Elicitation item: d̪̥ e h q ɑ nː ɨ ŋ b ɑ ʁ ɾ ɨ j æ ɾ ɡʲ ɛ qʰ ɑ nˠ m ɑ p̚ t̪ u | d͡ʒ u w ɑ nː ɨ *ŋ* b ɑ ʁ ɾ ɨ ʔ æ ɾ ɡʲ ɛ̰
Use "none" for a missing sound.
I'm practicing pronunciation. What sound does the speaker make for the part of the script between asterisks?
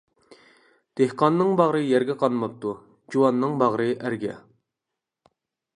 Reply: ŋ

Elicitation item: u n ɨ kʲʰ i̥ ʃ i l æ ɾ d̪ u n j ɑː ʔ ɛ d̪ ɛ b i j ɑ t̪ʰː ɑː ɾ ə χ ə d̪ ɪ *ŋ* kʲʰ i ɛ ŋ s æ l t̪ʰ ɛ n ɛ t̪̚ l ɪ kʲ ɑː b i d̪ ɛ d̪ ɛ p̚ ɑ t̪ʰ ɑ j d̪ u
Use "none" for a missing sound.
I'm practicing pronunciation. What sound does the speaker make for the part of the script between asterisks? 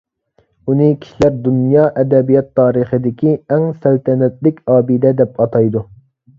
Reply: none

